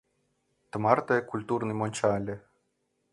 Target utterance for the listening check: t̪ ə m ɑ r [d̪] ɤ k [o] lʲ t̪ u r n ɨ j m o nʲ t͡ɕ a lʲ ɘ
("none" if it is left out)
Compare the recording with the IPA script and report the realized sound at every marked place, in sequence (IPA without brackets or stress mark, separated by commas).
t̪, u